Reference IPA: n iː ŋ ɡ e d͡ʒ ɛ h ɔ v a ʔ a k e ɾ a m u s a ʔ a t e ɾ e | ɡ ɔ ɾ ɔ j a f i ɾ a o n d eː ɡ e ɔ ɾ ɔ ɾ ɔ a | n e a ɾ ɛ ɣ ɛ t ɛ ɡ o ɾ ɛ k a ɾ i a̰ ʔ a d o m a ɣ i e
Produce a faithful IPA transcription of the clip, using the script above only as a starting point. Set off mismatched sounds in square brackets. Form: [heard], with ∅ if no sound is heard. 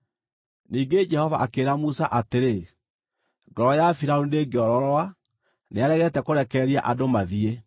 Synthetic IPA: n iː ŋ ɡ e d͡ʒ ɛ h ɔ v a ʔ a k e ɾ a m u s a ʔ a t e ɾ e | ɡ ɔ ɾ ɔ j a f i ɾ a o n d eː ɡ e ɔ ɾ ɔ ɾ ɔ a | n e a ɾ ɛ ɣ ɛ t ɛ [k] o ɾ ɛ k [ɛ] ɾ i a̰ ʔ a d o m a [ð] i e